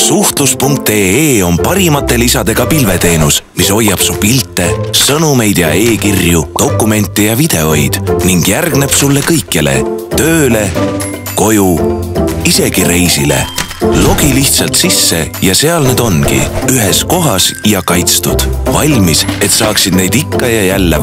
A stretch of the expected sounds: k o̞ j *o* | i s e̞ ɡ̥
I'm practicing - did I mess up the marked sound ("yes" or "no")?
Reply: yes